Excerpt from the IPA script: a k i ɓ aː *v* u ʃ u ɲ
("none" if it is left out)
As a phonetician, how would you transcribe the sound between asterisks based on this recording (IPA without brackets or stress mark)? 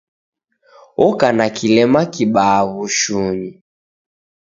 β